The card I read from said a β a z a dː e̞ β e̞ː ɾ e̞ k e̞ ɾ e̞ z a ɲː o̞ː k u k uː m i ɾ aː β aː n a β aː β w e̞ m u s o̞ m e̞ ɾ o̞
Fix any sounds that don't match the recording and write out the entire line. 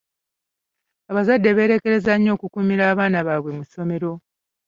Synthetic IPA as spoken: a β a z a dː e̞ β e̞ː ɾ e̞ k e̞ ɾ e̞ z a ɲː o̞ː k u k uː m i ɾ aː β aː n a β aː β w e̞ m u s o̞ m e̞ ɾ o̞